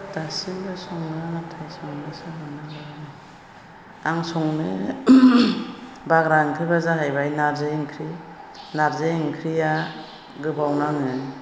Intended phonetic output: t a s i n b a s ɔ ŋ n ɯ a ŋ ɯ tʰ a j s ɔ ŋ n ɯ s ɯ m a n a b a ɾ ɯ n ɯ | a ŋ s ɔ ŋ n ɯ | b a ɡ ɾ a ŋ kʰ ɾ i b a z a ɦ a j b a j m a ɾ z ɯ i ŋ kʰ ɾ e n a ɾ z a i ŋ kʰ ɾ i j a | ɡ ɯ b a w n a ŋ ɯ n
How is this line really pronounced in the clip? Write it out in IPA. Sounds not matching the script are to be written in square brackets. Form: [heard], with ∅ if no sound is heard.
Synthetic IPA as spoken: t a s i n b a s ɔ ŋ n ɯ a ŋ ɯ tʰ a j s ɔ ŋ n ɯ s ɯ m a n a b a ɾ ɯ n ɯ | a ŋ s ɔ ŋ n ɯ | b a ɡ ɾ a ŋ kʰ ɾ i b a z a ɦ a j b a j [n] a ɾ z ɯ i ŋ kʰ ɾ [i] n a ɾ z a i ŋ kʰ ɾ i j a | ɡ ɯ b a w n a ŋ ɯ n